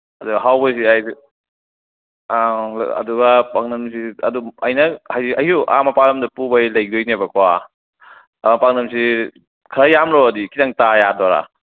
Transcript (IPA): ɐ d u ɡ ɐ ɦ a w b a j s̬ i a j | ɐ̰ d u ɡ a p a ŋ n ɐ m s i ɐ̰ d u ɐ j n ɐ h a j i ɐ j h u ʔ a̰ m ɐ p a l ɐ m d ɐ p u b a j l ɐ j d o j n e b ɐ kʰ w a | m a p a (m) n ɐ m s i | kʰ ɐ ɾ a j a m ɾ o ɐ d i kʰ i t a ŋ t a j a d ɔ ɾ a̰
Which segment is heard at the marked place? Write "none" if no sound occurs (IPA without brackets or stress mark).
ŋ